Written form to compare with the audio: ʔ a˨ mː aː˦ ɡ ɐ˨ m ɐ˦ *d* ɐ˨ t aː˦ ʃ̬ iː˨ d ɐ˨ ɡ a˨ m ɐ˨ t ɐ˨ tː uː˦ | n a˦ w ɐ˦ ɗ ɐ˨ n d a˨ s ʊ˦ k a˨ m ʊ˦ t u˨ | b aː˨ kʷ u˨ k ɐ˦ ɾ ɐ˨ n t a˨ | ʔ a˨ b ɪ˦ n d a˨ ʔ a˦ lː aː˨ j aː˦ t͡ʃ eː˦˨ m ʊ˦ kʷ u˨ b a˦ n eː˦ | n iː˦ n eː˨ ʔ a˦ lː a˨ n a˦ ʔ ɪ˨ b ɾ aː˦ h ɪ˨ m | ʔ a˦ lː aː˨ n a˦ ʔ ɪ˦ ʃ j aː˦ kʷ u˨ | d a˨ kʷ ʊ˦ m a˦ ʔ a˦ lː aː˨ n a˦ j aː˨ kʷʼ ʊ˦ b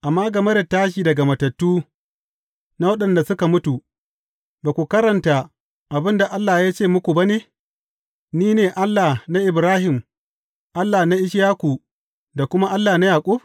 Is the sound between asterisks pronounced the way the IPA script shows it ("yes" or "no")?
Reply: yes